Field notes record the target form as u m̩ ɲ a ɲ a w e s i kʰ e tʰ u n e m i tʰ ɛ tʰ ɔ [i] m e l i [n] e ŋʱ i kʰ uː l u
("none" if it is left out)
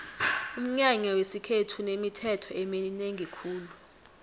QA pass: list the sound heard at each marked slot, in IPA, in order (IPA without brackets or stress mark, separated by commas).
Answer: ɛ, n